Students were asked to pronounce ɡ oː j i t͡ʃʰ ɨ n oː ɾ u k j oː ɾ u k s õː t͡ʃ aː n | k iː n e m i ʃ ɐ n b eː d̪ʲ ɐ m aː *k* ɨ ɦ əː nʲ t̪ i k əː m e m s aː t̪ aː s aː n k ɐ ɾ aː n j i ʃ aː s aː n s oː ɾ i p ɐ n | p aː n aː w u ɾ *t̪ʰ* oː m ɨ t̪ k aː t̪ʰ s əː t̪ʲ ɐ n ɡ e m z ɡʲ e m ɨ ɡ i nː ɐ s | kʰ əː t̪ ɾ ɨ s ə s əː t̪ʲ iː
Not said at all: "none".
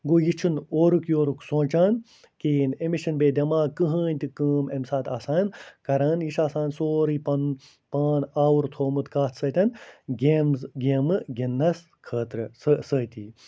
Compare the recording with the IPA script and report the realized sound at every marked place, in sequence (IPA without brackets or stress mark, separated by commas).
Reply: k, t̪ʰ